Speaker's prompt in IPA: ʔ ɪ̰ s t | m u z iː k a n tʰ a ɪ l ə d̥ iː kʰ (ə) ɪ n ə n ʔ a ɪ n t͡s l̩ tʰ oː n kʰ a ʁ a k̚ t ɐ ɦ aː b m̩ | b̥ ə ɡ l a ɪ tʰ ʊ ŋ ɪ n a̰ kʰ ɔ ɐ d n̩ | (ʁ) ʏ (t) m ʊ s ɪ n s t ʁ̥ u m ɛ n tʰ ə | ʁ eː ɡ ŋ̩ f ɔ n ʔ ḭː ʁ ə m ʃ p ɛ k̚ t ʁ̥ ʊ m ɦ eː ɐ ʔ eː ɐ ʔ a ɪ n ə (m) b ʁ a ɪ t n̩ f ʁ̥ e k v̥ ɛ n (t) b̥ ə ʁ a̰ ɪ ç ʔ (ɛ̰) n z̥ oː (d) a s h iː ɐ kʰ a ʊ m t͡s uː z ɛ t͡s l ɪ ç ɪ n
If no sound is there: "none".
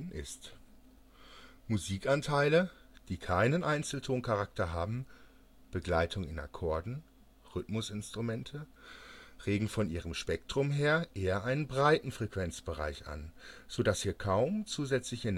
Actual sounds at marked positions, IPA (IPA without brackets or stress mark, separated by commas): a, ʁ, t, n, t͡s, a̰, d